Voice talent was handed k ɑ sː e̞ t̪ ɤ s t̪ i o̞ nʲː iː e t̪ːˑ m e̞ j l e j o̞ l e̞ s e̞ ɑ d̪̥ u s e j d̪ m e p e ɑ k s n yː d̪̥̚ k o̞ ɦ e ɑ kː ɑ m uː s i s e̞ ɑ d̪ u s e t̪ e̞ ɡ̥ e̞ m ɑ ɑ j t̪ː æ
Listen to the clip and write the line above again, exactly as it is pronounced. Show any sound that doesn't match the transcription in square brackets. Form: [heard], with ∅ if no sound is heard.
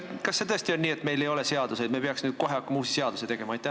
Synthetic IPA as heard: k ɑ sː e̞ t̪ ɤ s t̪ i o̞ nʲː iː e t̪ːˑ m e̞ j l e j o̞ l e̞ s e̞ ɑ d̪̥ u s e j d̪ m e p e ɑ k s n yː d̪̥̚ k o̞ ɦ e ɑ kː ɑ m uː s i s e̞ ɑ d̪ u s e t̪ e̞ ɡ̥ e̞ m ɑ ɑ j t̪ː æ